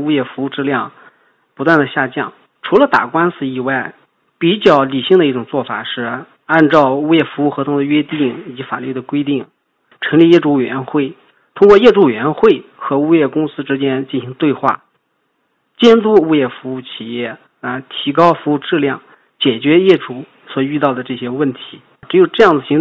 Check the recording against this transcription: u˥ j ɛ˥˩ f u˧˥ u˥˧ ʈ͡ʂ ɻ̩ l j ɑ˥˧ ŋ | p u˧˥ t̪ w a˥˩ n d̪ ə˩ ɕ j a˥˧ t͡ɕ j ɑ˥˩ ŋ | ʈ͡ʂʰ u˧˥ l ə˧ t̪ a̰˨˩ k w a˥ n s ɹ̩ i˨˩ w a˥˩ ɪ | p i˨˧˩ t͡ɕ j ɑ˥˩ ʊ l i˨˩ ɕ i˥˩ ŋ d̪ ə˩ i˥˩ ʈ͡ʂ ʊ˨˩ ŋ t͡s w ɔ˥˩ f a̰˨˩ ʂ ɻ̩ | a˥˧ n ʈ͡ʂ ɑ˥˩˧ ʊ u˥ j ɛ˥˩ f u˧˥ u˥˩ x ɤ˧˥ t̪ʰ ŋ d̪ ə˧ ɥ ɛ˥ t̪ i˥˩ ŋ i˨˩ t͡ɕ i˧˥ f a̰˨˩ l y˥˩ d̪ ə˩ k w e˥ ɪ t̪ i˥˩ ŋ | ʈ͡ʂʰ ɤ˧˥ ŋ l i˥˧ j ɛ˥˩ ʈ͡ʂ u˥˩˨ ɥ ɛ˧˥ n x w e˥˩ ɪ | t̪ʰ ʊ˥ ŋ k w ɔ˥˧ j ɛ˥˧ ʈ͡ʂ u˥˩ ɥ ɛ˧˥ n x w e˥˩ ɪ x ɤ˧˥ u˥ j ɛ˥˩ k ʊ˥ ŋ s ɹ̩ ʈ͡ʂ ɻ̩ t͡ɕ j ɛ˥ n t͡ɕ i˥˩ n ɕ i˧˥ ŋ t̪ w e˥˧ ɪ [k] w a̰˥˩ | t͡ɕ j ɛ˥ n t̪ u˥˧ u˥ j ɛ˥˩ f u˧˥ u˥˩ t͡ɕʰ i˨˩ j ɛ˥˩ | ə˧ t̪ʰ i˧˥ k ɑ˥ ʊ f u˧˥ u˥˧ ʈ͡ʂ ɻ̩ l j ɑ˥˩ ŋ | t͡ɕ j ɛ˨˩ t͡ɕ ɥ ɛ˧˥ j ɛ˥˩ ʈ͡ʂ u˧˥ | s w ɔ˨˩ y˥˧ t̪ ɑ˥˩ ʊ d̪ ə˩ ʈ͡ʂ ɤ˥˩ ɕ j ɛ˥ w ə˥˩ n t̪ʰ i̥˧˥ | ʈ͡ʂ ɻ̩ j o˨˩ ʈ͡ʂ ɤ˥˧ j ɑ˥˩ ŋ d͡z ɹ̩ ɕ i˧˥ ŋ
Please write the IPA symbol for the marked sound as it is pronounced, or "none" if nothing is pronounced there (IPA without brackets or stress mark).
x